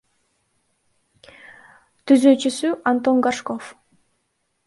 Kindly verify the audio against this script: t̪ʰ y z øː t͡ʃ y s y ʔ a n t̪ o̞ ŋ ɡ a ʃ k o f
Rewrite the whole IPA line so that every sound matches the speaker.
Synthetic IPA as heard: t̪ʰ y z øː t͡ʃ y s y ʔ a n t̪ o̞ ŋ ɡ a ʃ k o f